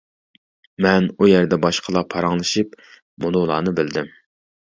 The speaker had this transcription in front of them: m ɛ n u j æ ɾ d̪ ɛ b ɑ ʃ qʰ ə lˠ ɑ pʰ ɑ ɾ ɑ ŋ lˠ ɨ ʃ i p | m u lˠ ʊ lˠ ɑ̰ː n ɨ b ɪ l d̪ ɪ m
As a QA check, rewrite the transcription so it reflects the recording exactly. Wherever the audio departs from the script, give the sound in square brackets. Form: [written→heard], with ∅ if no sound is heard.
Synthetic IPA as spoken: m ɛ n u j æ ɾ d̪ ɛ b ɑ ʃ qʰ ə lˠ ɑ pʰ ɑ ɾ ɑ ŋ lˠ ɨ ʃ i p | m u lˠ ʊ lˠ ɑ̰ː n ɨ b ɪ l d̪ ɪ m